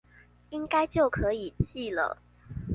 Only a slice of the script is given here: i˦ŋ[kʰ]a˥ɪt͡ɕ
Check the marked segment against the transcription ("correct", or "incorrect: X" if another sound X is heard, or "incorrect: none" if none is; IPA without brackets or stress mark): incorrect: k